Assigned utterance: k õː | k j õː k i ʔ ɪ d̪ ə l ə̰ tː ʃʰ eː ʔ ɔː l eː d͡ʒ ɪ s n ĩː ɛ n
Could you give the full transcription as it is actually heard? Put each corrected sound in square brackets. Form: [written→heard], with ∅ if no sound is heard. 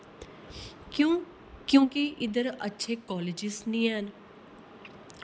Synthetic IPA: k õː | k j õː k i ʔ ɪ d̪ ə [l→ɾ] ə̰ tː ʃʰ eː [ʔ→k] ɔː l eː d͡ʒ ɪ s n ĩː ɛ n